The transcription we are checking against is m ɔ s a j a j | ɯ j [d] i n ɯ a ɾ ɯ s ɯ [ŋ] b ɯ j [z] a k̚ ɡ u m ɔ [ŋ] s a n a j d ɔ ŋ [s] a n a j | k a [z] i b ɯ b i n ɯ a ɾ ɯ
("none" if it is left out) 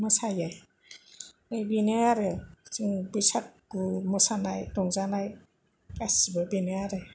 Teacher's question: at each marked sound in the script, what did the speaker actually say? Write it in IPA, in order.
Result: b, ŋ, s, none, z, s

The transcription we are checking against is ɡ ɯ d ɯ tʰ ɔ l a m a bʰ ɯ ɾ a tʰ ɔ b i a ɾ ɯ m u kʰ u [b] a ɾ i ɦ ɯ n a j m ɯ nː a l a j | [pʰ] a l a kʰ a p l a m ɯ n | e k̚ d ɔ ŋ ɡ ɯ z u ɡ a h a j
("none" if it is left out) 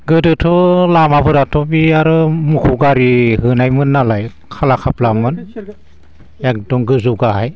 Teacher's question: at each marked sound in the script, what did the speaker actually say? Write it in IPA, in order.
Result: ɡ, kʰ

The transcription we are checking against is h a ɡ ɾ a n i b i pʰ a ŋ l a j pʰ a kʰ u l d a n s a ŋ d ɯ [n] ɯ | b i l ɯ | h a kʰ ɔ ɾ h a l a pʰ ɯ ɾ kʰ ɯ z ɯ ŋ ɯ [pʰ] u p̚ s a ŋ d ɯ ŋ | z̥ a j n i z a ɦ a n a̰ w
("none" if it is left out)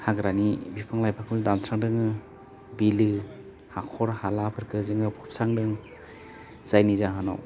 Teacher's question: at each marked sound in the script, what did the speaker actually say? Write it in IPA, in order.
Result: ŋ, pʰ

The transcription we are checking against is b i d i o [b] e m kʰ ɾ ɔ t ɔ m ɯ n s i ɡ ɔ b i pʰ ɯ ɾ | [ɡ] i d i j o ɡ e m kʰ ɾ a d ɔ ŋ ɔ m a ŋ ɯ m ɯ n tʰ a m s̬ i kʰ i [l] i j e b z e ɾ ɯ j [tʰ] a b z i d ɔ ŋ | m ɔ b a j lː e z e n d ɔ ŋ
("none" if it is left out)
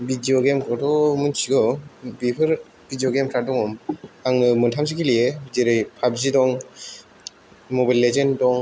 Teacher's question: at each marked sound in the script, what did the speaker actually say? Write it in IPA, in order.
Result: ɡ, b, l, pʰ

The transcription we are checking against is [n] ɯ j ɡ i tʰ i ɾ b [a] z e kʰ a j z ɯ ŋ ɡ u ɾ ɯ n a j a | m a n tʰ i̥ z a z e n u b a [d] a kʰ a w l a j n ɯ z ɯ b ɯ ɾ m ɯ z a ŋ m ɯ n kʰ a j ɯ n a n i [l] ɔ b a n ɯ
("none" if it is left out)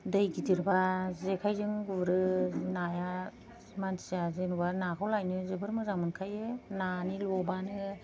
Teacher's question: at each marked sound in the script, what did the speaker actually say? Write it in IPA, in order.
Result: d, a, n, l

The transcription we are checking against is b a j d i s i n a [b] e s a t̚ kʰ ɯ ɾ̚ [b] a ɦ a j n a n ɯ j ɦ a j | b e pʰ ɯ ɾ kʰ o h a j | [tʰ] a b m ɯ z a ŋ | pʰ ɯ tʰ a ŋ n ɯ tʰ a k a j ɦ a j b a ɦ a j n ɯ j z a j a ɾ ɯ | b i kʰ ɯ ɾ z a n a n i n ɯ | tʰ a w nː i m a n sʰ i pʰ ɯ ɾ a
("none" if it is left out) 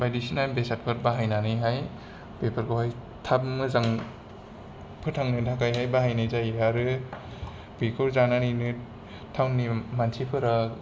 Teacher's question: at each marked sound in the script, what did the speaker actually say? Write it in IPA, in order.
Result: b, b, tʰ

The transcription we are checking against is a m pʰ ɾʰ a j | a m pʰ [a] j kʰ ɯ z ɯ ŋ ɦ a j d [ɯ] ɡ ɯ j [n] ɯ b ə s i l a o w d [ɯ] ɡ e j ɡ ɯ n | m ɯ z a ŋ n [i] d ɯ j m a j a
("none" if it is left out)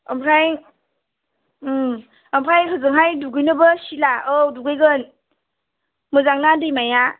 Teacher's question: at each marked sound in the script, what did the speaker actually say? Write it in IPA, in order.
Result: a, u, n, u, a

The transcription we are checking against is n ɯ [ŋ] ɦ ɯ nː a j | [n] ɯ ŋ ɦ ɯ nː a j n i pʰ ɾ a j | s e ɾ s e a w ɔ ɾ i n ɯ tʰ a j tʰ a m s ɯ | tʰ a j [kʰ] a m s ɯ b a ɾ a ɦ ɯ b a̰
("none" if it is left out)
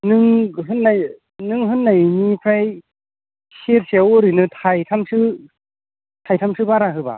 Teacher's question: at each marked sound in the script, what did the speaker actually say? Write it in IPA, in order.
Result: ŋ, n, tʰ

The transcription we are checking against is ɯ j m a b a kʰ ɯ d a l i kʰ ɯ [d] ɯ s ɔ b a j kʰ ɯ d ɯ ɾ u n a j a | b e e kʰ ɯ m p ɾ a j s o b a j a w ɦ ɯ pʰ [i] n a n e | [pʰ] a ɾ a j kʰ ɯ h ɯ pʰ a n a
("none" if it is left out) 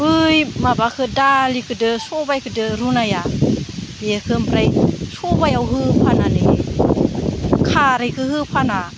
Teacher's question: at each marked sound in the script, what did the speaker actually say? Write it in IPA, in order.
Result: d, a, kʰ

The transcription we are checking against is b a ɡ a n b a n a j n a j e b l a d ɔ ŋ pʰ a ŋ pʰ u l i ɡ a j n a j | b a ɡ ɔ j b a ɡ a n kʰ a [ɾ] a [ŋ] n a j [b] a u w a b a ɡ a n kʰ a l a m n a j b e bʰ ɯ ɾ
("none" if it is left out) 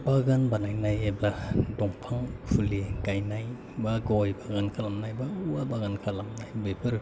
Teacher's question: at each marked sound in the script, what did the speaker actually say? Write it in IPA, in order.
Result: l, m, b

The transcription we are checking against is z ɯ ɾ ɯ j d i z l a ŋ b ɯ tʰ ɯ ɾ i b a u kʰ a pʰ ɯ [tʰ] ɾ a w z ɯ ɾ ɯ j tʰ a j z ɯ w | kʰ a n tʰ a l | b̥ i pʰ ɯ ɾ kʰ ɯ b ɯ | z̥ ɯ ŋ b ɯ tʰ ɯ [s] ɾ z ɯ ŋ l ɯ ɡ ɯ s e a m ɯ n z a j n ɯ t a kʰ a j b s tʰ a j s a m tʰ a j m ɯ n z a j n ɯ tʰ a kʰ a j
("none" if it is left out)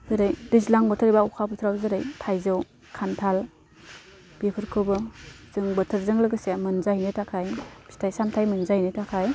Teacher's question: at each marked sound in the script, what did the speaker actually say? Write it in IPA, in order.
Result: tʰ, none

